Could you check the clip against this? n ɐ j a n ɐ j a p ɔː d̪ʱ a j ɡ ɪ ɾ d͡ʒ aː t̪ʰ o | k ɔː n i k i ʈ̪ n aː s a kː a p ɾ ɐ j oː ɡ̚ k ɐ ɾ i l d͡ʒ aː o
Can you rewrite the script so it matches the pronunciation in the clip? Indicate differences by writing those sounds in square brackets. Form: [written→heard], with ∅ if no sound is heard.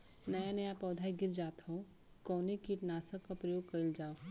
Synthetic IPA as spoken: n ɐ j a n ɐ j a p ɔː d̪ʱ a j ɡ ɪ ɾ d͡ʒ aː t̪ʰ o | k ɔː n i k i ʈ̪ n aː s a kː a p ɾ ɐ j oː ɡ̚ k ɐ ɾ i l d͡ʒ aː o